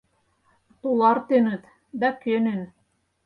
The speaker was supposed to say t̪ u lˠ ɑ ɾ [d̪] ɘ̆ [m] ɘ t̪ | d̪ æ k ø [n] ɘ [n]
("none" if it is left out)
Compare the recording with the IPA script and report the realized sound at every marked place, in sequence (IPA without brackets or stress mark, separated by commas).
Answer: t̪, n, n, n